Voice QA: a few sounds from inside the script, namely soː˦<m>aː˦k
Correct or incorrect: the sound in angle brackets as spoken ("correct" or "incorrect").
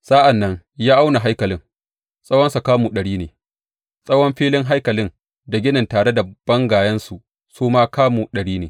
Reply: correct